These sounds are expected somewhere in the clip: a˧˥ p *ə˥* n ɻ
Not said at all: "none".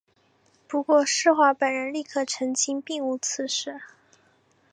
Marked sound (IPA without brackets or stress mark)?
ə˨˩